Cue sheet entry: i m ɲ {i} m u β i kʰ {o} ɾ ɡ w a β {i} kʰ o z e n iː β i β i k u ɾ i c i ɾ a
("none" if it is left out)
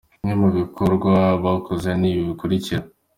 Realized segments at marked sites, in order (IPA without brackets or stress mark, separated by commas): e, o, a